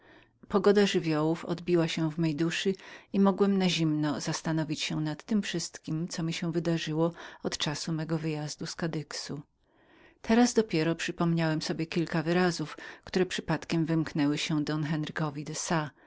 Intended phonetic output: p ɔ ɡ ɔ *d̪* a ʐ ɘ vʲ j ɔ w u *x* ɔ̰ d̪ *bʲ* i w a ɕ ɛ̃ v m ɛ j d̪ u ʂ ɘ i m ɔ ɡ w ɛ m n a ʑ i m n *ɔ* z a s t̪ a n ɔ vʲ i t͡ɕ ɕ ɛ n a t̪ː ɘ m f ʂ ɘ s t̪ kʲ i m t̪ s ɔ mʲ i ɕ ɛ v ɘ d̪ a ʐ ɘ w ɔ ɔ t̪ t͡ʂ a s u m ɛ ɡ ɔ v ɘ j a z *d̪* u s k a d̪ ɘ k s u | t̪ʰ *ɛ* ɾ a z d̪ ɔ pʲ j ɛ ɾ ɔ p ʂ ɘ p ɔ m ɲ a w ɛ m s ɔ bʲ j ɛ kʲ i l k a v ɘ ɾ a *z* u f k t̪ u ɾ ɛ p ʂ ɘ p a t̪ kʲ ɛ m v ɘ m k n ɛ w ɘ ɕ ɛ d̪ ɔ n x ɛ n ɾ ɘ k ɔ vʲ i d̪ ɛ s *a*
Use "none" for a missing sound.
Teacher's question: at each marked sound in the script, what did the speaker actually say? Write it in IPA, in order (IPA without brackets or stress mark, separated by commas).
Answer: d̪, f, bʲ, ɔ, d̪, ɛ, z, a